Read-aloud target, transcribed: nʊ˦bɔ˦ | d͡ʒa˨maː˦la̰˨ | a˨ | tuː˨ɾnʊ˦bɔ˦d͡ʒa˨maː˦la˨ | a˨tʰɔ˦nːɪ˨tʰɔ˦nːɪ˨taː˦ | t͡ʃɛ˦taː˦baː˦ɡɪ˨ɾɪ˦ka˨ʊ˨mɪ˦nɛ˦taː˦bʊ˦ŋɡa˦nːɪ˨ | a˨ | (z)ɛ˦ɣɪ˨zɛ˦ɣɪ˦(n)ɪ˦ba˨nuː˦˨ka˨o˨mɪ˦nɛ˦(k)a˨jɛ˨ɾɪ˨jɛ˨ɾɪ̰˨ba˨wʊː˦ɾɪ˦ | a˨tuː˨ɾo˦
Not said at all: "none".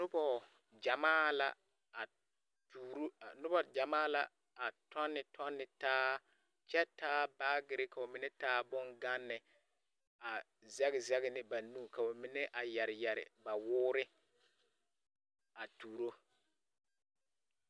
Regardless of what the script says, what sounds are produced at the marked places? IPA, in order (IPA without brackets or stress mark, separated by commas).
z, n, ʔ